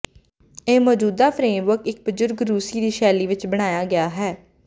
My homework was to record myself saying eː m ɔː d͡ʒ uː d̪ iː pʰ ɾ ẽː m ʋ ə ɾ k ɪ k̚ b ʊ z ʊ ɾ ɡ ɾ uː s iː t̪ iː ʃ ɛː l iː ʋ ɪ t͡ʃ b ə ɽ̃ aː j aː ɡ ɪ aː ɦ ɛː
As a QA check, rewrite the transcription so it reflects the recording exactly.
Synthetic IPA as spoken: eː m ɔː d͡ʒ uː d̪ aː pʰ ɾ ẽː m ʋ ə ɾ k ɪ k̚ b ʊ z ʊ ɾ ɡ ɾ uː s iː d̪ iː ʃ ɛː l iː ʋ ɪ t͡ʃ b ə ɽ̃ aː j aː ɡ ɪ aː ɦ ɛː